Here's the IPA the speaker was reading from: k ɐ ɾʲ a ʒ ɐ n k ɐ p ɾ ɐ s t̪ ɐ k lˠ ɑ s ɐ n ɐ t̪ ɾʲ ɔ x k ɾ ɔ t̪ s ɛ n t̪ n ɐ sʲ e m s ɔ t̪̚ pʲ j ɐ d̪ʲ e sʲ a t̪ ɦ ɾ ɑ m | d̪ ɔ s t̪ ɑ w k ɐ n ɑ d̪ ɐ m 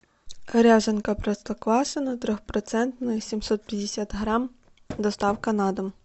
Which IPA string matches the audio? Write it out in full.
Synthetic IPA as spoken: k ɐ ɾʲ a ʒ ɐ n k ɐ p ɾ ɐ s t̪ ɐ k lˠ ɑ s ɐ n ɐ t̪ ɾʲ ɔ x p ɾ ɔ t̪ s ɛ n t̪ n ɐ sʲ i m s ɔ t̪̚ pʲ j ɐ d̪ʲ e sʲ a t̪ ɦ ɾ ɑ m | d̪ ɔ s t̪ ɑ w k ɐ n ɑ d̪ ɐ m

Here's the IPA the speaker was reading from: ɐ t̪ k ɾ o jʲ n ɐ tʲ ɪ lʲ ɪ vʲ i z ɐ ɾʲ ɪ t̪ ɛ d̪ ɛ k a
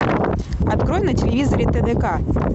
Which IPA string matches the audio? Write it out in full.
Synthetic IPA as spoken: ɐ t̪ k ɾ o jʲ n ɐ tʲ ɪ lʲ ɪ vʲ i z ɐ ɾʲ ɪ t̪ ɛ d̪ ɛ k a

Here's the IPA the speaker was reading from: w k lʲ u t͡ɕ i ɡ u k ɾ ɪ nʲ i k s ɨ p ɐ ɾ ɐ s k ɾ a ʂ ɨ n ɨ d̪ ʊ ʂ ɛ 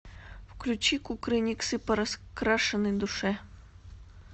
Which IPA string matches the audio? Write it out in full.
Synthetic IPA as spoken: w k lʲ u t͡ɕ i k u k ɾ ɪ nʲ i k s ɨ p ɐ ɾ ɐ s k ɾ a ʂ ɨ n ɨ d̪ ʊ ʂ ɛ

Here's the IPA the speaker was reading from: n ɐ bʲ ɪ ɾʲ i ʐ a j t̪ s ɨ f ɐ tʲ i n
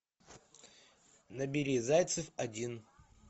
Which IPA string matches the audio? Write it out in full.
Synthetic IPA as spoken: n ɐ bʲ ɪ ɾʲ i z a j t̪ s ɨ f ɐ dʲ i n

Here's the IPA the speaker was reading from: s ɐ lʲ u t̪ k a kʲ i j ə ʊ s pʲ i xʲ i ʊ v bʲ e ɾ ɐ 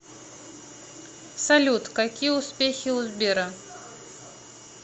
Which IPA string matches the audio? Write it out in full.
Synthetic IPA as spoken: s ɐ lʲ u t̪ k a kʲ i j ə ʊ s pʲ e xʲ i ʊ z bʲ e ɾ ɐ

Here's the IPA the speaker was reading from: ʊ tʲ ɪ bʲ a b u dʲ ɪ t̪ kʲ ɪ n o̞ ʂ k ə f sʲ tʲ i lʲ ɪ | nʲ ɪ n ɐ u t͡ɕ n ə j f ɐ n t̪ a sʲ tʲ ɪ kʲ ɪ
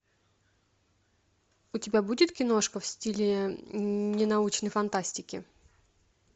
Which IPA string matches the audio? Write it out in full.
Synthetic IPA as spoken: ʊ tʲ ɪ bʲ a b u dʲ ɪ t̪ kʲ ɪ n o̞ ʂ k ə f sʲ tʲ i lʲ ɪ | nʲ ɪ n ɐ u t͡ɕ n ə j f ɐ n t̪ a sʲ tʲ ɪ kʲ ɪ

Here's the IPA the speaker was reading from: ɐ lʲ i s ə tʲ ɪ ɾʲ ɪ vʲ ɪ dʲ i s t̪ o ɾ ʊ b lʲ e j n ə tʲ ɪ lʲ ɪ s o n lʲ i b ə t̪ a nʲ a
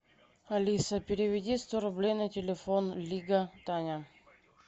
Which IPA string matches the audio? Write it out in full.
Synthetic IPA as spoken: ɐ lʲ i s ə pʲ ɪ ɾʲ ɪ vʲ ɪ dʲ i s t̪ o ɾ ʊ b lʲ e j n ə tʲ ɪ lʲ ɪ f o n lʲ i ɡ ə t̪ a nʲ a

